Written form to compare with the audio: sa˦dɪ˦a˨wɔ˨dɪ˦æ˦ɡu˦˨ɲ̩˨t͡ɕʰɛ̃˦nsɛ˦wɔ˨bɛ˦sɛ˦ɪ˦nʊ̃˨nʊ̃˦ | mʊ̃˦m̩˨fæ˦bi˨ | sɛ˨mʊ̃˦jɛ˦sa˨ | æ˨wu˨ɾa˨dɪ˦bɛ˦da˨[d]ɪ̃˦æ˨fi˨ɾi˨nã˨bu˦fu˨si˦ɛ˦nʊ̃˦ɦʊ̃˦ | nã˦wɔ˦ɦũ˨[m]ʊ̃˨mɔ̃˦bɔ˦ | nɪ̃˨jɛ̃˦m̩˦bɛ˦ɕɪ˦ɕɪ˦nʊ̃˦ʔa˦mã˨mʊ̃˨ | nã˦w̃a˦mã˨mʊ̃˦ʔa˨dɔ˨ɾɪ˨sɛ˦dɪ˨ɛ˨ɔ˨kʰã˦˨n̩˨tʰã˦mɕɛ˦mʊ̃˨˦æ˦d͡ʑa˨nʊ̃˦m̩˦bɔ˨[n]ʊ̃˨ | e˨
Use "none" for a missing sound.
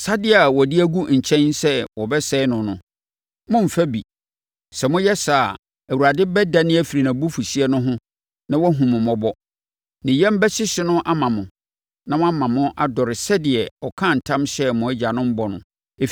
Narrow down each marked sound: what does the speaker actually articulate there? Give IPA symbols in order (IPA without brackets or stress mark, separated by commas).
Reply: n, m, n